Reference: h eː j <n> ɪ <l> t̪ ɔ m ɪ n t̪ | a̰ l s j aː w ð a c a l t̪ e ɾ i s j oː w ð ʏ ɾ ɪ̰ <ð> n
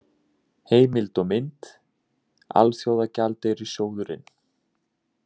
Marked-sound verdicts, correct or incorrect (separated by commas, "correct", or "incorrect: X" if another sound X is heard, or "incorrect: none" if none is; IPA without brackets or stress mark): incorrect: m, correct, incorrect: none